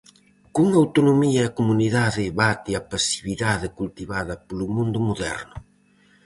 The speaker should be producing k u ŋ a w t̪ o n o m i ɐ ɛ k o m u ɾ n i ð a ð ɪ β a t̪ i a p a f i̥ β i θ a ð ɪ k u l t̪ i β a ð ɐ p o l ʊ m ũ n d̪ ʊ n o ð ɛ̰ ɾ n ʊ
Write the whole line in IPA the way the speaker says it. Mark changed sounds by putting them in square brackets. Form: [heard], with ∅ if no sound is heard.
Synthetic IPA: k u ŋ a w t̪ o n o m i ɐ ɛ k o m u [∅] n i ð a ð ɪ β a t̪ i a p a [s] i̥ β i [ð] a ð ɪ k u l t̪ i β a ð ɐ p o l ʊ m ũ n d̪ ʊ [m] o ð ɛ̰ ɾ n ʊ